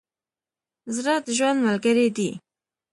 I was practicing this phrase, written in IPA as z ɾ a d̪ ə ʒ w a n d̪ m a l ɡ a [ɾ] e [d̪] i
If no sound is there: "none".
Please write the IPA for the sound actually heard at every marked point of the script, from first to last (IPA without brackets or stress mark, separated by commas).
ɾ, d̪